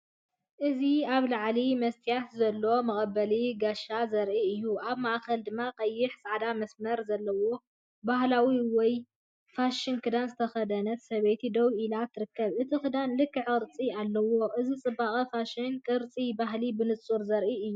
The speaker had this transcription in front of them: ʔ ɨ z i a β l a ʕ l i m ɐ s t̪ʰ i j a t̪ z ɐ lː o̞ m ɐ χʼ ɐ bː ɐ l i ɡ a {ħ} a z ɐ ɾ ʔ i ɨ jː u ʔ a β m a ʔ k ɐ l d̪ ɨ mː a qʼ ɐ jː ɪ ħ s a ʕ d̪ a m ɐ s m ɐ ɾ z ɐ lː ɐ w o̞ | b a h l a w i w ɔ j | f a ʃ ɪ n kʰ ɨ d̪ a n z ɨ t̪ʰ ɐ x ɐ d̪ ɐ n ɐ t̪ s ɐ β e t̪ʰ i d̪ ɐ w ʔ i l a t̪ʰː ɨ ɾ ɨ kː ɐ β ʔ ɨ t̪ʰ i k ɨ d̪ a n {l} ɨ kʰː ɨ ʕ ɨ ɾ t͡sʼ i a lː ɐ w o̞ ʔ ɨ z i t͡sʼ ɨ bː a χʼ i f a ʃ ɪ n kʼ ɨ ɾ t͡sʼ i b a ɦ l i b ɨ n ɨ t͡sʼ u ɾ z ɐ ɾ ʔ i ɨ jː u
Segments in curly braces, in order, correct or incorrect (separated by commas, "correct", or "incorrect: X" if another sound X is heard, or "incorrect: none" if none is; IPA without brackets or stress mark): incorrect: ʃ, correct